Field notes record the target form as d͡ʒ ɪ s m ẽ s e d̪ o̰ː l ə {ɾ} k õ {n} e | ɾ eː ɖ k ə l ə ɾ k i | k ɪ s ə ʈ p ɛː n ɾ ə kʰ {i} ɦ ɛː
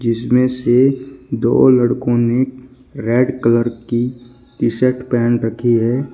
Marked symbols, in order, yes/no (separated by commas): no, yes, yes